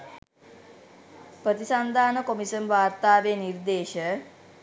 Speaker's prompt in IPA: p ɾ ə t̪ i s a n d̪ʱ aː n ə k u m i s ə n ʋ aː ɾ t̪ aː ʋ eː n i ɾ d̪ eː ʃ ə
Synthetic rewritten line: p ɾ ə t̪ i s a n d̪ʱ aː n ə k o m i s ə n ʋ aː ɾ t̪ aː ʋ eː n i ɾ d̪ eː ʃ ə